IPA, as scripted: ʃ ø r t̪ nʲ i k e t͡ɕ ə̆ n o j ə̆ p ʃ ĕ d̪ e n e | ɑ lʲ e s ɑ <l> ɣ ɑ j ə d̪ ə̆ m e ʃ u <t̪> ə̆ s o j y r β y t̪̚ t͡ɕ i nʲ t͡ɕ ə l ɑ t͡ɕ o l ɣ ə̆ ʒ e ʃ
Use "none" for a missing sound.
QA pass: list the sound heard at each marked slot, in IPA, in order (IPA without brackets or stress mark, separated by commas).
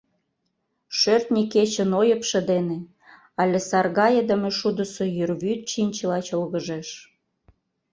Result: r, d̪